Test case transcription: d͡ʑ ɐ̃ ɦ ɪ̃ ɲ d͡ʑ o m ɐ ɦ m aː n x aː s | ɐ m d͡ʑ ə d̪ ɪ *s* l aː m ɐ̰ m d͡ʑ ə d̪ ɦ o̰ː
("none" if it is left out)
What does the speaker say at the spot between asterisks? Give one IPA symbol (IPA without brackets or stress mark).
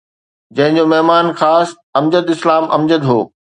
s